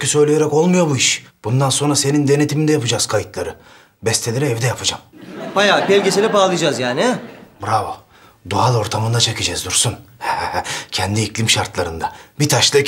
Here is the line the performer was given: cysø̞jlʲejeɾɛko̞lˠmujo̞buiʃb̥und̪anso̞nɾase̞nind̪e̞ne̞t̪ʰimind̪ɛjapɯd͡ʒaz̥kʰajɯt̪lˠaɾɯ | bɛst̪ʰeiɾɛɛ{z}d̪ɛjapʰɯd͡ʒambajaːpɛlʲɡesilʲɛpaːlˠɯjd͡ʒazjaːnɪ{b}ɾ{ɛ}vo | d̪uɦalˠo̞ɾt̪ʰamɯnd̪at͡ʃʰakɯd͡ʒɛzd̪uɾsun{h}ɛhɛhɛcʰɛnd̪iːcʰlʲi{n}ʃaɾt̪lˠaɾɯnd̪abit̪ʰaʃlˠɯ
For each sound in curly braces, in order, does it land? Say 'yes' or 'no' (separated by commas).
no, yes, no, yes, no